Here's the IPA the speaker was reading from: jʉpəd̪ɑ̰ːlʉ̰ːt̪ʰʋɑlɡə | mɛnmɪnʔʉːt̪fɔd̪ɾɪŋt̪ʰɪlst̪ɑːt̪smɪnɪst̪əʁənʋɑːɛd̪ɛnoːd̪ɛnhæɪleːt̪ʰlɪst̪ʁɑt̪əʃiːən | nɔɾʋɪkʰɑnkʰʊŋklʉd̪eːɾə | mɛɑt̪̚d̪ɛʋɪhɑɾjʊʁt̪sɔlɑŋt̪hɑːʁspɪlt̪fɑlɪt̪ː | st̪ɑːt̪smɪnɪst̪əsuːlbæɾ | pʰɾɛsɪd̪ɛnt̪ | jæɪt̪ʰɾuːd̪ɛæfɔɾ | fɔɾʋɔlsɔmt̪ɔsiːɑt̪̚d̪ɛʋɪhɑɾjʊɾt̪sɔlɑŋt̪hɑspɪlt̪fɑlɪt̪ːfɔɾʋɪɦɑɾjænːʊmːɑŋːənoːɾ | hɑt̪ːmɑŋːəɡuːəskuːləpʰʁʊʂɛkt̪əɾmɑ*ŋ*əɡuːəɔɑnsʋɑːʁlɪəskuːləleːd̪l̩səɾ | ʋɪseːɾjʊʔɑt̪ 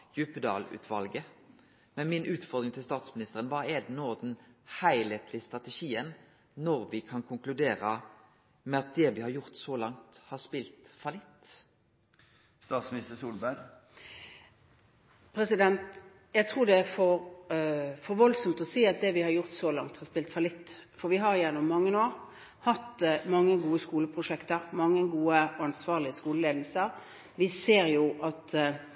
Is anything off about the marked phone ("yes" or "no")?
yes